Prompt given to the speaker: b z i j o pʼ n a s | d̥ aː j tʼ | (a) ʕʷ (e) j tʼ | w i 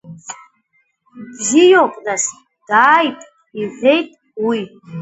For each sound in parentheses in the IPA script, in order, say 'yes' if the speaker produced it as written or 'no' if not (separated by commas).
no, yes